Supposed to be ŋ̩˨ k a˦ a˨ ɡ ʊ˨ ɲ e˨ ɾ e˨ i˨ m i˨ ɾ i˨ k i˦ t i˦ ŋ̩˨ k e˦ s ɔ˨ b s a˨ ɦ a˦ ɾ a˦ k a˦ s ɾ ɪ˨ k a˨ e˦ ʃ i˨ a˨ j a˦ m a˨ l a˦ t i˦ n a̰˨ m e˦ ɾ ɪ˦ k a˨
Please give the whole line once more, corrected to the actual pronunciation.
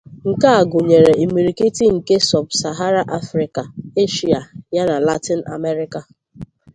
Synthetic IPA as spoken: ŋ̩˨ k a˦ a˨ ɡ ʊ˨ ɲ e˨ ɾ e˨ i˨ m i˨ ɾ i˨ k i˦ t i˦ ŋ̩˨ k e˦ s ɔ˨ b s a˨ ɦ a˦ ɾ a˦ ʔ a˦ f ɾ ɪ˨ k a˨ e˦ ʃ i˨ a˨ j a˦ n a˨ l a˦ t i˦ n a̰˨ m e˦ ɾ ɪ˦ k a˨